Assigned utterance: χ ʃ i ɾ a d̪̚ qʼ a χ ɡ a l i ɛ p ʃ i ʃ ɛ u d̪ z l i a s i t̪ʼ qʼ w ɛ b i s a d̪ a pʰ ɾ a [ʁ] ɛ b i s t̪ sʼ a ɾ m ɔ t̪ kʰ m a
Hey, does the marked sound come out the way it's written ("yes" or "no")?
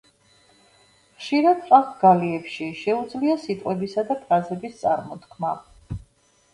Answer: no